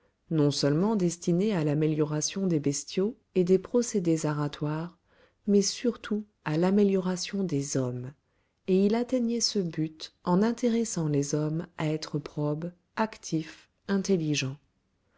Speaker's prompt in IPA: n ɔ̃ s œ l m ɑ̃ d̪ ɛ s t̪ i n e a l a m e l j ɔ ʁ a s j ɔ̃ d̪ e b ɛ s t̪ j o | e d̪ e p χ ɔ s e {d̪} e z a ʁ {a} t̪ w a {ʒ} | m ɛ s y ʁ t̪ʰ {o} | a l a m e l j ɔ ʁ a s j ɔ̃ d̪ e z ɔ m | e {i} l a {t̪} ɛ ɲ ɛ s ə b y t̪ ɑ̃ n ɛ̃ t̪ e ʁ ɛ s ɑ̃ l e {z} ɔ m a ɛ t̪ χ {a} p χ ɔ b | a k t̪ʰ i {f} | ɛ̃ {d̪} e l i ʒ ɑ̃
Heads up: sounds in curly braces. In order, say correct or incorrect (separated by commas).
correct, correct, incorrect, incorrect, correct, correct, correct, incorrect, correct, incorrect